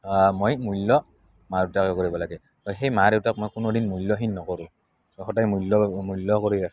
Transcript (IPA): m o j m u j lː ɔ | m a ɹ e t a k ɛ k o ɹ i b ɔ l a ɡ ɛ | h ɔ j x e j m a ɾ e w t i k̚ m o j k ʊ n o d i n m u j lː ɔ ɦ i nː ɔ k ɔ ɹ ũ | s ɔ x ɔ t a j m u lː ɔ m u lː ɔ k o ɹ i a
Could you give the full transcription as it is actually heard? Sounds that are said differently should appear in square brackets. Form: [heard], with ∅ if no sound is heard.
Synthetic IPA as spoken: m o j m u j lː ɔ | m a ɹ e t a k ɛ k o ɹ i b ɔ l a ɡ ɛ | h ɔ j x e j m a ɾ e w t [a] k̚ m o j k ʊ n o d i n m u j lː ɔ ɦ i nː ɔ k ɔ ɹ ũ | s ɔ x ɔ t a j m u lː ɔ m u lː ɔ k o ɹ i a